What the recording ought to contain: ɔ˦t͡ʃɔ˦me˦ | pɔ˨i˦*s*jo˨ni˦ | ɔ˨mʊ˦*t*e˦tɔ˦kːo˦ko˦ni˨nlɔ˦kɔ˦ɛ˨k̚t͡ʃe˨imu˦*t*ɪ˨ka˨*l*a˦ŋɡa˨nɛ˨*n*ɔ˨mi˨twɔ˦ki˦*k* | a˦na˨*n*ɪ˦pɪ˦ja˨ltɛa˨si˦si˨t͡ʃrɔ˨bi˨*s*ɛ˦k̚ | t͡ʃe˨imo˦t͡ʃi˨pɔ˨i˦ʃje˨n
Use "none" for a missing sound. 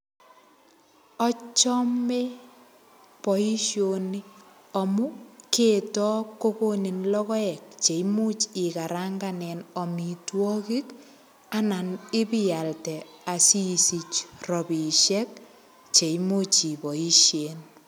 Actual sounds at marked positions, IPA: ʃ, k, t͡ʃ, ɾ, n, k, n, ʃ

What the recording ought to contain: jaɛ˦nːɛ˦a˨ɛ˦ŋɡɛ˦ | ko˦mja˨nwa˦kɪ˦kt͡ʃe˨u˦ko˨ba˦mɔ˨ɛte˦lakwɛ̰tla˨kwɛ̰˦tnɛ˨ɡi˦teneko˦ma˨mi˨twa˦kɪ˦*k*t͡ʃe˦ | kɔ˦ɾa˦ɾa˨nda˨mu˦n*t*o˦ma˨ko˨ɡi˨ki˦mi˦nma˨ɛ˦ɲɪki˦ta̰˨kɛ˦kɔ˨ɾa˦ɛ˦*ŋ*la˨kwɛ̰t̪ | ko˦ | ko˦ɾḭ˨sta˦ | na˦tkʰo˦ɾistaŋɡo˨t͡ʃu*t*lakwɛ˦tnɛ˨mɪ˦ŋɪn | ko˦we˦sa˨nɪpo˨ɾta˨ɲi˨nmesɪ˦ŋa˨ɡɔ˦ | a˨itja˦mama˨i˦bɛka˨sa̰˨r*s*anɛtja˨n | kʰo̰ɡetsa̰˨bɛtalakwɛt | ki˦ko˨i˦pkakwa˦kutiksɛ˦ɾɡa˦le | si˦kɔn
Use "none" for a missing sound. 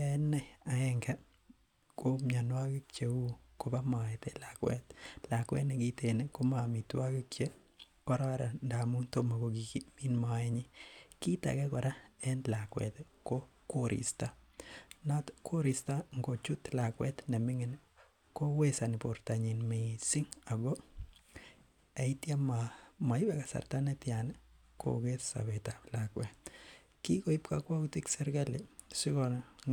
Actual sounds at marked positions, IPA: k, t, n, t, t

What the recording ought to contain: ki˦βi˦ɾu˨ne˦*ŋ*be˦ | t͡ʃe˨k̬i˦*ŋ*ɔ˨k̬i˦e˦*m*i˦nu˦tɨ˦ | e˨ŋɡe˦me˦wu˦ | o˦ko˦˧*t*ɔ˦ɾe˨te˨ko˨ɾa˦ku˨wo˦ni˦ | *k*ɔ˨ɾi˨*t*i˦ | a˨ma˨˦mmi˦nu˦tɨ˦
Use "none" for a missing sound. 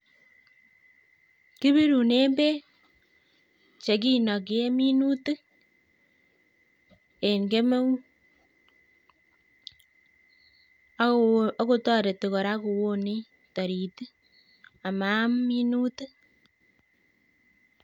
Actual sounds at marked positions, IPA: m, n, m, t, t, t

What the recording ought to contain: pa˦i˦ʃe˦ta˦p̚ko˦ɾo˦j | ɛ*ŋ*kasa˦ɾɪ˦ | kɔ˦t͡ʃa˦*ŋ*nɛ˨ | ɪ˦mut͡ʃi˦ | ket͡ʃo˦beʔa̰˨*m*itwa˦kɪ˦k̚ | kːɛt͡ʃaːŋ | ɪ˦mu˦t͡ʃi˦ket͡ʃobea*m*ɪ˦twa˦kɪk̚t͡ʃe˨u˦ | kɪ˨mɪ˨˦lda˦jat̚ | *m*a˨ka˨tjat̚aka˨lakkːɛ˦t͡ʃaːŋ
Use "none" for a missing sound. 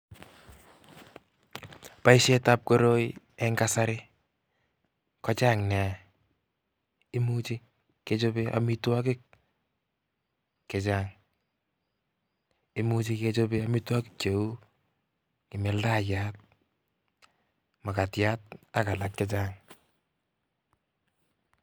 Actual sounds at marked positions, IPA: ŋ, ŋ, m, m, m

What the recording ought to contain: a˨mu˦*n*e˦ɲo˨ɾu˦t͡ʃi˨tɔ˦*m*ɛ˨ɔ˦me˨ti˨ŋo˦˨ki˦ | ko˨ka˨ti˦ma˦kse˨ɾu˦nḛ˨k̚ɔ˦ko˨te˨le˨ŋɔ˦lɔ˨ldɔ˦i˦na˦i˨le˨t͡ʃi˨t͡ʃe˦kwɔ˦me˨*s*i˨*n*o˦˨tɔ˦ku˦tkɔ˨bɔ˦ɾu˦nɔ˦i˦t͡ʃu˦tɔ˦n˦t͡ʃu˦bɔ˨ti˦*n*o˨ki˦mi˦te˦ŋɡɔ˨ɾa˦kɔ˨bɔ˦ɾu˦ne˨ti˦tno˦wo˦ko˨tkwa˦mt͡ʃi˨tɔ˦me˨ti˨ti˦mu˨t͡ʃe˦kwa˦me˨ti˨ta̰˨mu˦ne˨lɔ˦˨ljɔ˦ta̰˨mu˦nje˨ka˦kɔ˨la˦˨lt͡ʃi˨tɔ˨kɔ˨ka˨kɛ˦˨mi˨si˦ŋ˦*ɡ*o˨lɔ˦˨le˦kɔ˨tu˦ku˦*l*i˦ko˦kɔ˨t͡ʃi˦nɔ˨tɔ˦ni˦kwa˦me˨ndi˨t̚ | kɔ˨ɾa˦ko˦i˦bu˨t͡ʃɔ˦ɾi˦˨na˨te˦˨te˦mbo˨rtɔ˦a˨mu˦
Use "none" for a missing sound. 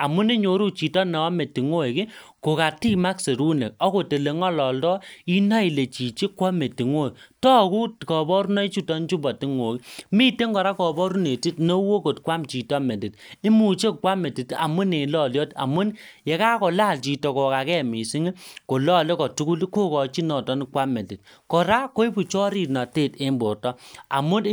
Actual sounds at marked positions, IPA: n, n, t, ŋ, ŋ, k, l

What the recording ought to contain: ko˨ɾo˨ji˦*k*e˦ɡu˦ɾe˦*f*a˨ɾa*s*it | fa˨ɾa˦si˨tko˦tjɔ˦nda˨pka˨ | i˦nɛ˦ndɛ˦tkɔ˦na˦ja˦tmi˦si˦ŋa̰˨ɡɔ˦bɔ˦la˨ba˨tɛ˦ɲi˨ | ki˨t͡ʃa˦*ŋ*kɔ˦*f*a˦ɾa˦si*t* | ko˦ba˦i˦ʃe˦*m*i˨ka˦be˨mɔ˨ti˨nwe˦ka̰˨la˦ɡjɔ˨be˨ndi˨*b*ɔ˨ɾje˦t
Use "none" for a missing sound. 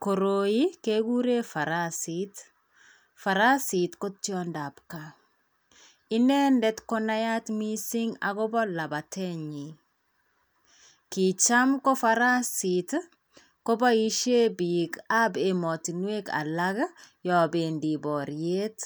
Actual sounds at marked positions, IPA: k, f, s, m, f, t, b, b

